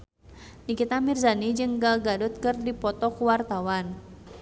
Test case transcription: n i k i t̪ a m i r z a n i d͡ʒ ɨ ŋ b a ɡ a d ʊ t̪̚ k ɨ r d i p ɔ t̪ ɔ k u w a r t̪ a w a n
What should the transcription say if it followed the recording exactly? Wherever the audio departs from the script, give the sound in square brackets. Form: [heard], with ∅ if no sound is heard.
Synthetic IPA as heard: n i k i t̪ a m i r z a n i d͡ʒ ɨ ŋ [ɡ] a ɡ a d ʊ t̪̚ k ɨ r d i p ɔ t̪ ɔ k u w a r t̪ a w a n